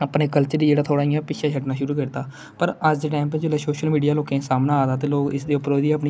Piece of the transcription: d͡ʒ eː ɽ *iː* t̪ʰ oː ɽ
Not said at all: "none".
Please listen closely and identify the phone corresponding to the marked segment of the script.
aː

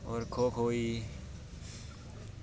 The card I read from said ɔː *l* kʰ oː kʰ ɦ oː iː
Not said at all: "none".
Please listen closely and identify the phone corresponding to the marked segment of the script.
ɾ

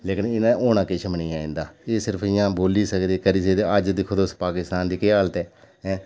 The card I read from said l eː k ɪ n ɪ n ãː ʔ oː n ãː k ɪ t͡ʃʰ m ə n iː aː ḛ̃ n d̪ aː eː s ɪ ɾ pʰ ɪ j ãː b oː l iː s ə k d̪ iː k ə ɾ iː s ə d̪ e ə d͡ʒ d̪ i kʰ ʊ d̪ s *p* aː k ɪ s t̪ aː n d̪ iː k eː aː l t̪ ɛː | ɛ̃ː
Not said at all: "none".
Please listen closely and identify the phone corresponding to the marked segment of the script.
p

